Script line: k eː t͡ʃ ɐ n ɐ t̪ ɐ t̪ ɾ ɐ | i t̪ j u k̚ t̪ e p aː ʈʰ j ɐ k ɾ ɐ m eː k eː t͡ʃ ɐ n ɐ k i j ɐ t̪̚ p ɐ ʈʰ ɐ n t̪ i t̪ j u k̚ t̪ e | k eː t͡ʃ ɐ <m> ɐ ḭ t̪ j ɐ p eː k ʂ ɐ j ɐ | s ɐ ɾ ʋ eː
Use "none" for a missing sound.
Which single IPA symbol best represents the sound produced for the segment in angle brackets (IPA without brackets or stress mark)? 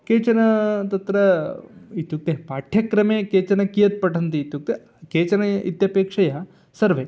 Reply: n